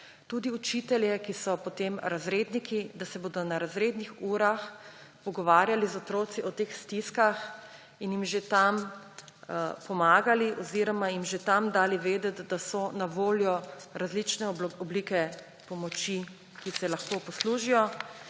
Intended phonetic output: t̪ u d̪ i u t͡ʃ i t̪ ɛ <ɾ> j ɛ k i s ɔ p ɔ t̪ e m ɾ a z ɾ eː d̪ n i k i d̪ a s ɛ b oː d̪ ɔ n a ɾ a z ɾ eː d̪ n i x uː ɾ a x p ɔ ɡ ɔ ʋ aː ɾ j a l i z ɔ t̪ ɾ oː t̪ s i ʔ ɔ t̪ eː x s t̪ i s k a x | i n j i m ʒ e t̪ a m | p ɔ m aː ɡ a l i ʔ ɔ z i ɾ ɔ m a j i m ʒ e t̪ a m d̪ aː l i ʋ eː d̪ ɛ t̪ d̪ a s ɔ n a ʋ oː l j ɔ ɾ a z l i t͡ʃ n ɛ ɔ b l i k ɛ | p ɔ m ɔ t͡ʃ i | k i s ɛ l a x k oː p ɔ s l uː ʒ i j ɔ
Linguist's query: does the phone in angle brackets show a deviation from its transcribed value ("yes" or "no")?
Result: yes